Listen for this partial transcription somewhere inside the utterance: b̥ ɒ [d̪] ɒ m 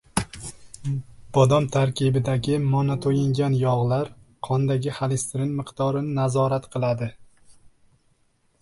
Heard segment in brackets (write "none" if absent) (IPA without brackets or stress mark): d̪